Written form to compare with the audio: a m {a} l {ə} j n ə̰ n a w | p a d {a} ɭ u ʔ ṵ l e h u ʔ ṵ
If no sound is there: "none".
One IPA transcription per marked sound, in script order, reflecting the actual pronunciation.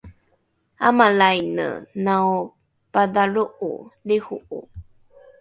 a, a, a

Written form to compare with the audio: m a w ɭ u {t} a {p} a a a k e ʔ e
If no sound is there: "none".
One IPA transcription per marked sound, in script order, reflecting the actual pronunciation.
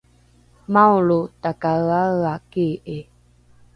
t, k

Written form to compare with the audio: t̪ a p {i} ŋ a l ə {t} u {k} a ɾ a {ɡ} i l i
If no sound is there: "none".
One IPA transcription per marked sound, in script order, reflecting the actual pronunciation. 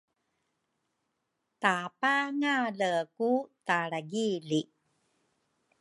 a, k, t, ɡ

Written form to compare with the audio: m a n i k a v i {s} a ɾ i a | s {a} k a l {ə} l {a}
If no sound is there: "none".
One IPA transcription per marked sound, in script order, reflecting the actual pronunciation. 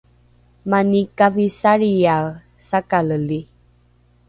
s, a, ə, i

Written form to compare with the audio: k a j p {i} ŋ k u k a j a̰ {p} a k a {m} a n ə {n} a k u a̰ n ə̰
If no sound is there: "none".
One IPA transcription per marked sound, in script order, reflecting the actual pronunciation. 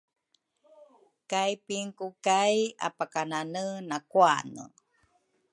i, p, n, n

